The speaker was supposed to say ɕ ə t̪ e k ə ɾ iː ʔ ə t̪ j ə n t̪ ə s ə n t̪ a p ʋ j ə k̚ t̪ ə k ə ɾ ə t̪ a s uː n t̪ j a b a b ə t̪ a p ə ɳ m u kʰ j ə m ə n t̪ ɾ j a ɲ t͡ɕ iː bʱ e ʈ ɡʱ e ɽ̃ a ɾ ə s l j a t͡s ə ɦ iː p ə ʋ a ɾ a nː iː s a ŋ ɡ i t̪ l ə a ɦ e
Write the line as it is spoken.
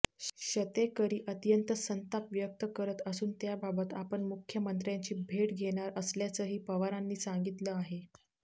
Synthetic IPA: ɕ ə t̪ e k ə ɾ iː ʔ ə t̪ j ə n t̪ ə s ə n t̪ a p ʋ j ə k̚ t̪ ə k ə ɾ ə t̪ ə s uː n t̪ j a b a b ə t̪ a p ə ɳ m u kʰ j ə m ə n t̪ ɾ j a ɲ t͡ɕ iː bʱ e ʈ ɡʱ e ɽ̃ a ɾ ə s l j a t͡s ə ɦ iː p ə ʋ a ɾ a nː iː s a ŋ ɡ i t̪ l ə a ɦ e